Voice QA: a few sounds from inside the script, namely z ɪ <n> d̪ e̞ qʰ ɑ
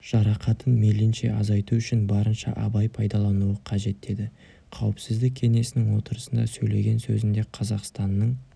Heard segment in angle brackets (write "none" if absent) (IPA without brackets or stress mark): n